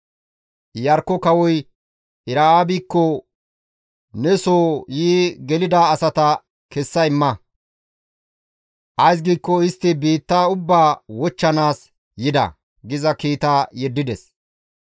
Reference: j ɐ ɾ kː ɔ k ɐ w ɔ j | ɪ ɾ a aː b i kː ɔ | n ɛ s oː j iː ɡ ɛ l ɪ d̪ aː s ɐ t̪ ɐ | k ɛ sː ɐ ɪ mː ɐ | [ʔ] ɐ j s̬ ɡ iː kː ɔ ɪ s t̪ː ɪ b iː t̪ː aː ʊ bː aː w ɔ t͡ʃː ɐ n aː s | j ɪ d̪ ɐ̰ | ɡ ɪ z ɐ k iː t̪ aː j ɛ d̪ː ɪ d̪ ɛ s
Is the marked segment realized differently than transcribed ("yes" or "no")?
no